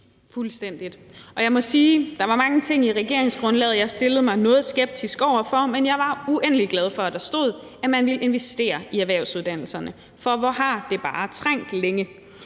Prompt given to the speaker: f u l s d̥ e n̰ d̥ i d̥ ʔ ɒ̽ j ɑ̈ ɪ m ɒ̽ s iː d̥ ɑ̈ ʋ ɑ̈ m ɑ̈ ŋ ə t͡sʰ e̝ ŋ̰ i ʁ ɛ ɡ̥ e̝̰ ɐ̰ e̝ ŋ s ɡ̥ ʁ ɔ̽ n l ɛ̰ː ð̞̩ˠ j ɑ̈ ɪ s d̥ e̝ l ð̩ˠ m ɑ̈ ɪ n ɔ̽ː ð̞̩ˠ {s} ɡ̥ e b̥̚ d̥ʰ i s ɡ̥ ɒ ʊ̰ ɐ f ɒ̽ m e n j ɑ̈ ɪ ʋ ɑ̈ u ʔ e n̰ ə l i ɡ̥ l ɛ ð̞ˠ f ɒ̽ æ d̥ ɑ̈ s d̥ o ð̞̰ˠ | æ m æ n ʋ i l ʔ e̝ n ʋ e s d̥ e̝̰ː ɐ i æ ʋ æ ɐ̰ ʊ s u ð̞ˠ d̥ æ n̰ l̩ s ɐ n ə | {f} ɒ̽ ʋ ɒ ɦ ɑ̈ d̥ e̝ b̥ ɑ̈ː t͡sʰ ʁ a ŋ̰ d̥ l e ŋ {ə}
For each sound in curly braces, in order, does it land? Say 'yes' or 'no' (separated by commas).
yes, yes, yes